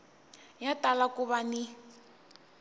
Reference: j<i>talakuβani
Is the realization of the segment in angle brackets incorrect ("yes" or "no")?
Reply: yes